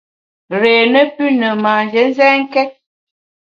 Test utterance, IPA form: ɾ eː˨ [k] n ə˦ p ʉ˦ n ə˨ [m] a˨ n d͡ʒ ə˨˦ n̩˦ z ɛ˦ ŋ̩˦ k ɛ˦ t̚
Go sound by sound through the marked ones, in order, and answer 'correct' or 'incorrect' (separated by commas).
incorrect, correct